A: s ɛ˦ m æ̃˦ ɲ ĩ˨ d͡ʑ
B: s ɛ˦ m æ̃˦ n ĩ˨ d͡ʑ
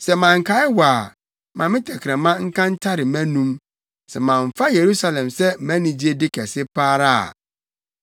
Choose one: B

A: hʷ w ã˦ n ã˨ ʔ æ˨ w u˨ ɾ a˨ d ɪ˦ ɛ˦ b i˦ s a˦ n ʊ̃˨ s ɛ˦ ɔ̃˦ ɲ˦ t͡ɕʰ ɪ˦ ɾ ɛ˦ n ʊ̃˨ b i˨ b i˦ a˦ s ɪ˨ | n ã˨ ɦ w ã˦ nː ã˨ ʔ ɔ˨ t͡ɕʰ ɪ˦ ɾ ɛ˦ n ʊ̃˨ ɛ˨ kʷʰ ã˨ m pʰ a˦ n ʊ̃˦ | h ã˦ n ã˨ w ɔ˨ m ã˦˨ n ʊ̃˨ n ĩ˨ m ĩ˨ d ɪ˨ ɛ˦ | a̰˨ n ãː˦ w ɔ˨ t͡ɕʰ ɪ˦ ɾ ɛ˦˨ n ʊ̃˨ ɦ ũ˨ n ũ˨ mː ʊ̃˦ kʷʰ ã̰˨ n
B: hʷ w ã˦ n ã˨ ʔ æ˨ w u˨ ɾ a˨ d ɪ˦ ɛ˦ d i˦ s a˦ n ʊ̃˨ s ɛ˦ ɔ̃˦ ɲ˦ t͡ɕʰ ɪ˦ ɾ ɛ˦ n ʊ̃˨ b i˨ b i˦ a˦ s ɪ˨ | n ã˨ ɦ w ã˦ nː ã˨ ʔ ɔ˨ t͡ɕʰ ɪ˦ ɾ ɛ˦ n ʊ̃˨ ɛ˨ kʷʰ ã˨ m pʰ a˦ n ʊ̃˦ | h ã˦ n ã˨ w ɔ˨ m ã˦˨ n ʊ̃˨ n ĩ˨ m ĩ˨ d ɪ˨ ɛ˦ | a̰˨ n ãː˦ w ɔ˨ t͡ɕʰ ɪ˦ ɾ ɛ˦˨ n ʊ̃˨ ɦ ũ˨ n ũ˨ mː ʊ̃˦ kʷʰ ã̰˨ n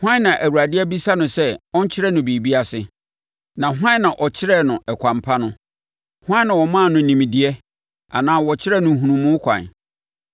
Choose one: A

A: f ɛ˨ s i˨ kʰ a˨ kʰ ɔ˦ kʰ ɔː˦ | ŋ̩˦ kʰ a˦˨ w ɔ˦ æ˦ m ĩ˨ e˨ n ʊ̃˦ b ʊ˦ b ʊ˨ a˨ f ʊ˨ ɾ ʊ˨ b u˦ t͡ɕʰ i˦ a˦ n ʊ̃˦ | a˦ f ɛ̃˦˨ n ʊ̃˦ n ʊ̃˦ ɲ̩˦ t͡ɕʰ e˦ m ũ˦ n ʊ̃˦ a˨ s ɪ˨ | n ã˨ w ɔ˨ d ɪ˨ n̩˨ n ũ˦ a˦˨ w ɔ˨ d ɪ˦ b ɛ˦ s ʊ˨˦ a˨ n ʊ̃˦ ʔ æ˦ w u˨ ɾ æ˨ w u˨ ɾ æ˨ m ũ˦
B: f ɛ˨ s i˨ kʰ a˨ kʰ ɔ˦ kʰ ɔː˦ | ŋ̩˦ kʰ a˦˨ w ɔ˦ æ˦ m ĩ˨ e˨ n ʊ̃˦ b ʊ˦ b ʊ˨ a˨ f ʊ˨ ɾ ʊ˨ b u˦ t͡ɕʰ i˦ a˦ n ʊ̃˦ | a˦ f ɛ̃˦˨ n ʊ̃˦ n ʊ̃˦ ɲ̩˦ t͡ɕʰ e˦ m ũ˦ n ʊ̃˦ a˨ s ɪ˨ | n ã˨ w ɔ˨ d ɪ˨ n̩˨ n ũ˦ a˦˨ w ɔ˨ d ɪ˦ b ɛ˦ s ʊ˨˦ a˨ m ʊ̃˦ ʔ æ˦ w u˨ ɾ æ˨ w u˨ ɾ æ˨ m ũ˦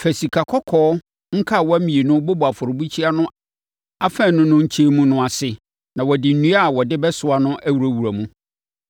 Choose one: A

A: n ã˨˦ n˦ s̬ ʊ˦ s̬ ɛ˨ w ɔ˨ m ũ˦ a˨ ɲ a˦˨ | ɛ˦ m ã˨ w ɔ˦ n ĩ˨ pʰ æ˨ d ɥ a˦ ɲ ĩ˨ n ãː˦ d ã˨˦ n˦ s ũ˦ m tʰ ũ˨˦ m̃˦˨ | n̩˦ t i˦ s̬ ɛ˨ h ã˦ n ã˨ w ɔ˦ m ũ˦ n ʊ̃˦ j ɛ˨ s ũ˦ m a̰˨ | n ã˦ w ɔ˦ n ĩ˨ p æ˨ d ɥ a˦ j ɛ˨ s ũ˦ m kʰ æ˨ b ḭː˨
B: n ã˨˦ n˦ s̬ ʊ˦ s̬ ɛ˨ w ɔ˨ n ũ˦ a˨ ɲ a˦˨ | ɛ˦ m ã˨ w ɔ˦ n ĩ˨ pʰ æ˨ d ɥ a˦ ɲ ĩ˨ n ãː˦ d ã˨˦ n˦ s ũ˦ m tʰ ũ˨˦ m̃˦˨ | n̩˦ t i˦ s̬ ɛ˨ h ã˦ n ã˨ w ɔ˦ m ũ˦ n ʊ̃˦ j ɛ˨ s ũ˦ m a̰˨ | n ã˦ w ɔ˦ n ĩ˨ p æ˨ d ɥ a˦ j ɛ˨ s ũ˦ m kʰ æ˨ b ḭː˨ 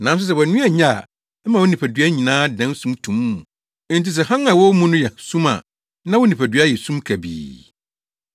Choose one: B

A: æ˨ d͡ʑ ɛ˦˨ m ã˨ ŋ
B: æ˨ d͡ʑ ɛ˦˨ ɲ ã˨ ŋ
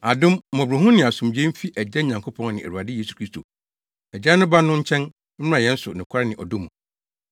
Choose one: B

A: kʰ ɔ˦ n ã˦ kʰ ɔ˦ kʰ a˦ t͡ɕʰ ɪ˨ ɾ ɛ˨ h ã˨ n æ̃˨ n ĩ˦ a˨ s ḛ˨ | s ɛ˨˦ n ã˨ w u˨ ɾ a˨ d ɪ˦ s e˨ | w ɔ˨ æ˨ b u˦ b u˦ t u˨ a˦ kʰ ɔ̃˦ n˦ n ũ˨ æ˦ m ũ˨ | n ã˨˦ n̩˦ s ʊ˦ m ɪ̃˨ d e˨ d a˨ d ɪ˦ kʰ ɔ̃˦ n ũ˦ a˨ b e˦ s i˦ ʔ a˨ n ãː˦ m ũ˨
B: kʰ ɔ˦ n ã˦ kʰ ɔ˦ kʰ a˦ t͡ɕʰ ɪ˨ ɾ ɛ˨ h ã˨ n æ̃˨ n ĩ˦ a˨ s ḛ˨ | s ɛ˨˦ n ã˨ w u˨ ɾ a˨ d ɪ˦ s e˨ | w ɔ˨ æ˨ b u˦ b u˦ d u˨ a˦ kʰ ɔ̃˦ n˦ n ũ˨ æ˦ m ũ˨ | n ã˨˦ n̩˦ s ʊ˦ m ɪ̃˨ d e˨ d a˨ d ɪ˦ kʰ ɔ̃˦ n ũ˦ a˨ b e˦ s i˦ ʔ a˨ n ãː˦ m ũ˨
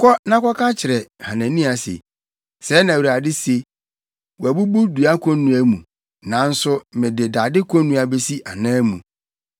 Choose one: B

